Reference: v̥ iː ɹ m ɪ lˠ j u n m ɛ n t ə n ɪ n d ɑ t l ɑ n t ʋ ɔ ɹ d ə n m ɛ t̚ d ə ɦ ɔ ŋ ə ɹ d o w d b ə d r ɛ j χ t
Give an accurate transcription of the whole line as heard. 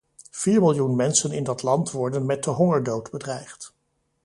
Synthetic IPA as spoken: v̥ iː ɹ m ɪ lˠ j u n m ɛ n s ə n ɪ n d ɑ t l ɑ n t ʋ ɔ ɹ d ə n m ɛ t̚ d ə ɦ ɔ ŋ ə ɹ d o w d b ə d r ɛ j χ t